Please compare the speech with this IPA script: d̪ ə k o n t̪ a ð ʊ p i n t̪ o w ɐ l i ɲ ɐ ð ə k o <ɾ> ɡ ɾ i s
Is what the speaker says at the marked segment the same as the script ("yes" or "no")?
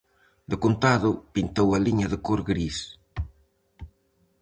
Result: yes